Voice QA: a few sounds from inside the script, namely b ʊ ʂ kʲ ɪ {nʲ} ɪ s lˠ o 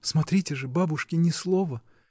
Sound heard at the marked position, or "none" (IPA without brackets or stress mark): nʲ